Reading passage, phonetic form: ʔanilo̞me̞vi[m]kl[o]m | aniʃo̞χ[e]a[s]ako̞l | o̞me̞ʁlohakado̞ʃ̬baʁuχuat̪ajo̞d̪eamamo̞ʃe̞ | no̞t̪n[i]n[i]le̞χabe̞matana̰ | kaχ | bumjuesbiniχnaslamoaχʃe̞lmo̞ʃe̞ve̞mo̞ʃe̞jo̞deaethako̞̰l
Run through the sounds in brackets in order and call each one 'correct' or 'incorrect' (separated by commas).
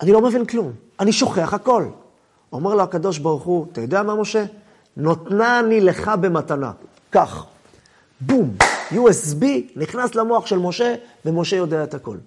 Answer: incorrect, incorrect, correct, incorrect, incorrect, correct